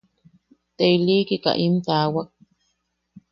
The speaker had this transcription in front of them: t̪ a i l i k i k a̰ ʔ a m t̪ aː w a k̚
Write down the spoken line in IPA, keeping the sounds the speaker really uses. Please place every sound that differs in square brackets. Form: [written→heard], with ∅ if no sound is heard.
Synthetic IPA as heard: t̪ [a→e] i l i k i k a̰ ʔ [a→i] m t̪ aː w a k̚